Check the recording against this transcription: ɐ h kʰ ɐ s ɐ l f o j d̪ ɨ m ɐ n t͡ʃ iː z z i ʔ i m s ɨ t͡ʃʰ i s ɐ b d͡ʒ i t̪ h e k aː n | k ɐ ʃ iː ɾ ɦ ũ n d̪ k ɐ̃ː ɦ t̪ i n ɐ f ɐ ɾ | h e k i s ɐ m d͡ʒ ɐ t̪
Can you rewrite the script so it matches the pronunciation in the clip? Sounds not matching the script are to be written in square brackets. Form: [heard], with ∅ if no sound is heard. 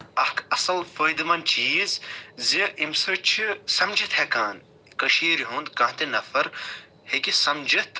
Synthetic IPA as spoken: ɐ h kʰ ɐ s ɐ l f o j d̪ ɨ m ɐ n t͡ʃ iː z z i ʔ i m s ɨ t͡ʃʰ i s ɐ [m] d͡ʒ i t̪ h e k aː n | k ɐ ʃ iː ɾ ɦ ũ n d̪ k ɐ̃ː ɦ t̪ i n ɐ f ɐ ɾ | h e k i s ɐ m d͡ʒ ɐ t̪